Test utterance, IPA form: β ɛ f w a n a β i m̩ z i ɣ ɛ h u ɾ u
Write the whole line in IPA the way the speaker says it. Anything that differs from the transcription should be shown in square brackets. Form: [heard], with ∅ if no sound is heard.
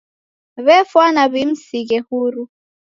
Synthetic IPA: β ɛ f w a n a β i m̩ [s] i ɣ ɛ h u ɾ u